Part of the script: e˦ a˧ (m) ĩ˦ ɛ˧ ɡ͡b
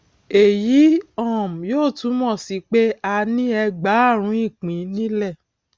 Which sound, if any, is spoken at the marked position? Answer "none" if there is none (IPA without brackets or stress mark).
n